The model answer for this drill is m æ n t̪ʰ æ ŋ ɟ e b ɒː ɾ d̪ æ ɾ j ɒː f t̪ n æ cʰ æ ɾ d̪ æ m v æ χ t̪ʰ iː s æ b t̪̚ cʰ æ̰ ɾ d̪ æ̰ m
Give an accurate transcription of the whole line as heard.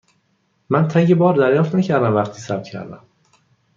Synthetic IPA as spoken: m æ n t̪ʰ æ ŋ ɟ e b ɒː ɾ d̪ æ ɾ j ɒː f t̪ n æ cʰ æ ɾ d̪ æ m v æ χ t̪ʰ iː s æ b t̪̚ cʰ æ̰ ɾ d̪ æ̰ m